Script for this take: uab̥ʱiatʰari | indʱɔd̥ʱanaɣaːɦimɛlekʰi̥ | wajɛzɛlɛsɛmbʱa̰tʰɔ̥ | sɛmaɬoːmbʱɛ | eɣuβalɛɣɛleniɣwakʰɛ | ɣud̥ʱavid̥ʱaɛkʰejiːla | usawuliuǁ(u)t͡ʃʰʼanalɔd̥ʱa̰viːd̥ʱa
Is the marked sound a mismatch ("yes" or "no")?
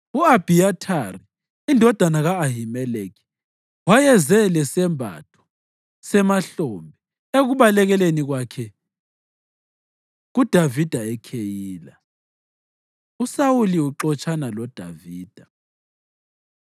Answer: yes